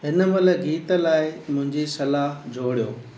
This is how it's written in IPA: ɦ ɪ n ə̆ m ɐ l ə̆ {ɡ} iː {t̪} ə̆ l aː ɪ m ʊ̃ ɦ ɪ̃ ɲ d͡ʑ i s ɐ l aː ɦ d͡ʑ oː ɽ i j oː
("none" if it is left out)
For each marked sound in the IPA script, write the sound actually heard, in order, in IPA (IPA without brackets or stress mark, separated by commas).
ɡ, t̪